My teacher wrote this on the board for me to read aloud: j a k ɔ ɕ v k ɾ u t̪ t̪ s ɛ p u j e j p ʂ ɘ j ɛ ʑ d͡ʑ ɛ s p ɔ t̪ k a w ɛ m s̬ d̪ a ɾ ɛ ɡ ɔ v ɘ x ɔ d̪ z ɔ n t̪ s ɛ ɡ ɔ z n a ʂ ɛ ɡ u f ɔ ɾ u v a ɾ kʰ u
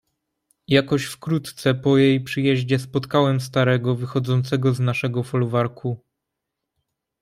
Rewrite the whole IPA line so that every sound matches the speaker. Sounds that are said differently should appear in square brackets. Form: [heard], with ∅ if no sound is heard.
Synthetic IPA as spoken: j a k ɔ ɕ [f] k ɾ u t̪ t̪ s ɛ p [ɔ] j e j p ʂ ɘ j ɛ ʑ d͡ʑ ɛ s p ɔ t̪ k a w ɛ m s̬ [t̪] a ɾ ɛ ɡ ɔ v ɘ x ɔ d̪ z ɔ n t̪ s ɛ ɡ ɔ z n a ʂ ɛ ɡ [ɔ] f ɔ [l] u v a ɾ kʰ u